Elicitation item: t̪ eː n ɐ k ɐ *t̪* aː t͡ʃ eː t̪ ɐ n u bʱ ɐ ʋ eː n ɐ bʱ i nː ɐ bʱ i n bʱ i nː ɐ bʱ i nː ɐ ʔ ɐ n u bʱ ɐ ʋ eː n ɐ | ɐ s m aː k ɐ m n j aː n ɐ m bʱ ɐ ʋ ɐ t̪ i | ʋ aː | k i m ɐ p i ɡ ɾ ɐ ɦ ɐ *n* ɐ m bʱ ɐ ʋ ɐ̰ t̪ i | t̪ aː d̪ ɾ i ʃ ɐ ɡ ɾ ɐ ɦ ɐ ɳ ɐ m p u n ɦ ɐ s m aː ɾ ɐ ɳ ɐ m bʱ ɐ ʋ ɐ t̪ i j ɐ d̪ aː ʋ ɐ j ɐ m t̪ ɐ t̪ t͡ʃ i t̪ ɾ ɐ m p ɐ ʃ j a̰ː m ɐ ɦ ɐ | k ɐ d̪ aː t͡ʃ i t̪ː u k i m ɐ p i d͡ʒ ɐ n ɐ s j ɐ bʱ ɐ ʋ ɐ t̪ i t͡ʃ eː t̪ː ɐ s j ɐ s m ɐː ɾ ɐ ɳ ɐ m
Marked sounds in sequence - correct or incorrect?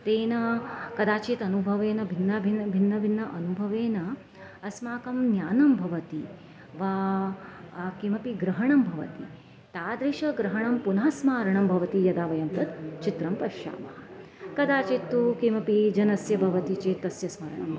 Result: incorrect, incorrect

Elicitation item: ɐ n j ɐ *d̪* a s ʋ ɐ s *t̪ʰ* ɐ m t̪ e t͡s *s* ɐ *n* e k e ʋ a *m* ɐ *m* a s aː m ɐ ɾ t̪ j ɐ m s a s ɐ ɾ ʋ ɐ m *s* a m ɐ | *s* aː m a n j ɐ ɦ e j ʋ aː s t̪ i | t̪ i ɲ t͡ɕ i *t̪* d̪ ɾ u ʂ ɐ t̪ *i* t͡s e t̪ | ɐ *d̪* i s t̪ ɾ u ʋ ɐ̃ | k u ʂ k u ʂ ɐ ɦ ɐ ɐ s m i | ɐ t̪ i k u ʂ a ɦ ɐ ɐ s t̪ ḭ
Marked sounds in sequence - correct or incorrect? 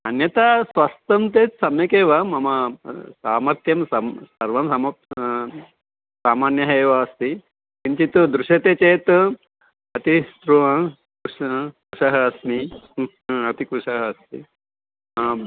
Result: incorrect, incorrect, correct, incorrect, correct, correct, correct, correct, correct, incorrect, incorrect

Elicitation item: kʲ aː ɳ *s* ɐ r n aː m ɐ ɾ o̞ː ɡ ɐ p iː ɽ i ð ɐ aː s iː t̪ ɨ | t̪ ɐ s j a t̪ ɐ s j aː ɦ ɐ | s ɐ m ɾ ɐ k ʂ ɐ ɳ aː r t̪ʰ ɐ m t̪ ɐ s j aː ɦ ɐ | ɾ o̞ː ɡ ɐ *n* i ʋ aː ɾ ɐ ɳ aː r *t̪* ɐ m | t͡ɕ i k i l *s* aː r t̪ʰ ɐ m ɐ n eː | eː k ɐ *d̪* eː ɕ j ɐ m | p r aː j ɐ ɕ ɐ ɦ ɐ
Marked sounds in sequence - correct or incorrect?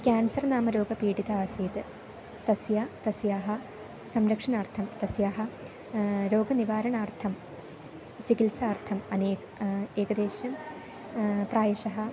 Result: correct, correct, incorrect, correct, correct

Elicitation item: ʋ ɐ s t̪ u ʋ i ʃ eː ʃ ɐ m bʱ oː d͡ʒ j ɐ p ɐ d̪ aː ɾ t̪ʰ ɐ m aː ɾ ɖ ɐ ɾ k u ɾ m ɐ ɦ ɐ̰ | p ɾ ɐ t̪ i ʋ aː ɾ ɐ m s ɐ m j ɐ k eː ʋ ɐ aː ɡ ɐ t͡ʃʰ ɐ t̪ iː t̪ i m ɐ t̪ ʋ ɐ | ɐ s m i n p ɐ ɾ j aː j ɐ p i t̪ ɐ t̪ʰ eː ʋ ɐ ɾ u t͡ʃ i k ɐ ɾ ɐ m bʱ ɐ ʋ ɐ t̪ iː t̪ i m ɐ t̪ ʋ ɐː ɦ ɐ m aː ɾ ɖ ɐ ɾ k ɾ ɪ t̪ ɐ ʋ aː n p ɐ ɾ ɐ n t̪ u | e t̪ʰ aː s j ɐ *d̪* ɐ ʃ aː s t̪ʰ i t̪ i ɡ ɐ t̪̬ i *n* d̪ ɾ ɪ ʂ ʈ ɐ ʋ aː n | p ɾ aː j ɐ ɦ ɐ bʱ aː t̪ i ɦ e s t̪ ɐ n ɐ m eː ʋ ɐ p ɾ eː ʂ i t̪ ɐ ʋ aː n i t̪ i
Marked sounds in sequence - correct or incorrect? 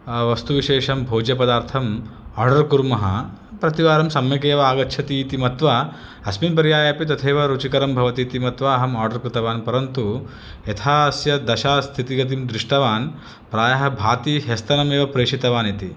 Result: correct, incorrect

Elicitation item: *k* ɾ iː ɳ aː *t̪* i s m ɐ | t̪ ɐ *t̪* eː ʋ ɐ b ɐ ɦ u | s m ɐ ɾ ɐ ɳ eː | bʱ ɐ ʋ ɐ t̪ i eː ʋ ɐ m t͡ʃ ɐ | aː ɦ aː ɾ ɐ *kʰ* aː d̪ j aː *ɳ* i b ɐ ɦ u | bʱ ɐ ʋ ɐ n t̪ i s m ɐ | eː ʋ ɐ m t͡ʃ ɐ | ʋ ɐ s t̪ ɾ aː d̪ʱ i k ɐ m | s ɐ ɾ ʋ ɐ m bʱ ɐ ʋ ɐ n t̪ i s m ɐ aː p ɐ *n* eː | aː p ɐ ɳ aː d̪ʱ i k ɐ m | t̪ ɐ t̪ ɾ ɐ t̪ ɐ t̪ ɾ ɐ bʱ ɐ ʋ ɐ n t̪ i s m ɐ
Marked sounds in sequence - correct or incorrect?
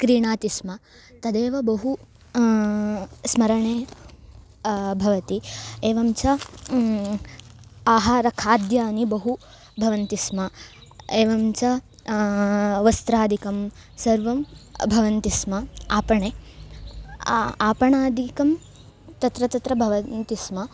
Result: correct, correct, incorrect, correct, incorrect, incorrect

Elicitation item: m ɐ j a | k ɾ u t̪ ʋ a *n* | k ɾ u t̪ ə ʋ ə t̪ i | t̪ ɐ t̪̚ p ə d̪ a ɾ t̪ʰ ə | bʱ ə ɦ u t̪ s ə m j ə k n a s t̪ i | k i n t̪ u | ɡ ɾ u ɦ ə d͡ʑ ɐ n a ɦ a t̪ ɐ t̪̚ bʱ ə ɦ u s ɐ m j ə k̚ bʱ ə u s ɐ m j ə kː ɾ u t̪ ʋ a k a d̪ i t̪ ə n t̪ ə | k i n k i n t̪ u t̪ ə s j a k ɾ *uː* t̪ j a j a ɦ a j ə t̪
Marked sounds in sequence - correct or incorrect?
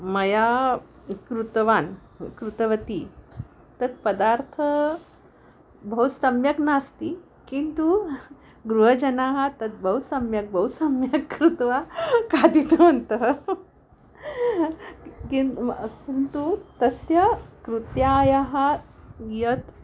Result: correct, incorrect

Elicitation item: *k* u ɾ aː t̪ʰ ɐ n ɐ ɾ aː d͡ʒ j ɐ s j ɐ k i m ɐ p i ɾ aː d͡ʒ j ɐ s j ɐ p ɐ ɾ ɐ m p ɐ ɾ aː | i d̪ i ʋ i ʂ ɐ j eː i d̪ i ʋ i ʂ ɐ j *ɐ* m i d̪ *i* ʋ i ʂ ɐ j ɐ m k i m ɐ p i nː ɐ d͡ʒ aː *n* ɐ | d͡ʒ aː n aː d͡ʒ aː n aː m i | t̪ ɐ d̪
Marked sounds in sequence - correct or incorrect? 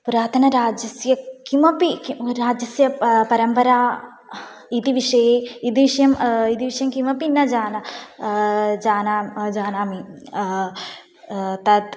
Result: incorrect, correct, correct, correct

